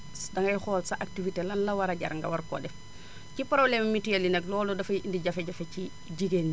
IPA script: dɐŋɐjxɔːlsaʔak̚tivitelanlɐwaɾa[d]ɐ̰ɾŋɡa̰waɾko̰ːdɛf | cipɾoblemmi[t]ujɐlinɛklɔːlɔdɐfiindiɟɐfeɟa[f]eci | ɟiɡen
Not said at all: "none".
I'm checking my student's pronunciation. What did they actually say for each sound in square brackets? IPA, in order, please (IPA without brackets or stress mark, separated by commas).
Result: ɟ, t, f